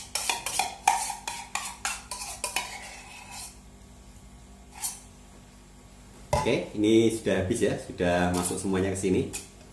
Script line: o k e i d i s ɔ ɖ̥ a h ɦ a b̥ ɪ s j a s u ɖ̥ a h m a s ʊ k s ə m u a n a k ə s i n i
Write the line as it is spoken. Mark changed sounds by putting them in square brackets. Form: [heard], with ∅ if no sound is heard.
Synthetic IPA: o k e i [n] i s [u] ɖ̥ a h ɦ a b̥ ɪ s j a s u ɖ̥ a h m a s ʊ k s ə m u a [ɲ] a k ə s i n i